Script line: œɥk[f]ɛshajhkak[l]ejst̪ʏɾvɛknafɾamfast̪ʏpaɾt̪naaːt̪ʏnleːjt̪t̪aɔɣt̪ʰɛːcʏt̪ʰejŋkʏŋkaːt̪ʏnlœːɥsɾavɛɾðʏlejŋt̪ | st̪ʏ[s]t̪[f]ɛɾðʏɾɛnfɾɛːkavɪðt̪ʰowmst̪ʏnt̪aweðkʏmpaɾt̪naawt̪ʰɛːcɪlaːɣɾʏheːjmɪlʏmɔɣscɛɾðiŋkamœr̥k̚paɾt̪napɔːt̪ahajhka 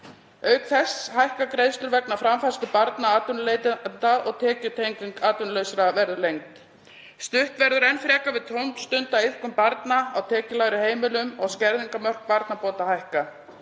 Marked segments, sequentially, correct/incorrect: incorrect, incorrect, incorrect, incorrect

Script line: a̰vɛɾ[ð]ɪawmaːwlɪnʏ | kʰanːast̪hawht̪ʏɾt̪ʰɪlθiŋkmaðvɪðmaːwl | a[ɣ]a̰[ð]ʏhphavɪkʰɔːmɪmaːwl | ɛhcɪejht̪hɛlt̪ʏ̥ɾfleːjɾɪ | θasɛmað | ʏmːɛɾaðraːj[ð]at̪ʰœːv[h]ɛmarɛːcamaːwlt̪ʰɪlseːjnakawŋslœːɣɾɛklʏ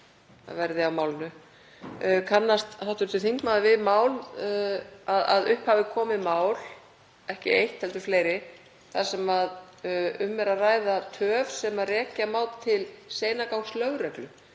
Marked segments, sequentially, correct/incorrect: correct, incorrect, correct, correct, incorrect

